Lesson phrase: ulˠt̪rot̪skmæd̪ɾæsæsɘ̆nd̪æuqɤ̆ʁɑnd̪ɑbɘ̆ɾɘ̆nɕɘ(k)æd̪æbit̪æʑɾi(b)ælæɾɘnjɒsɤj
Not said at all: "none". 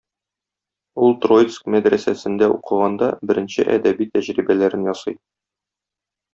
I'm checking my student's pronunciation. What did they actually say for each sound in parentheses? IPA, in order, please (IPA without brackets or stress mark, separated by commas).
ʔ, b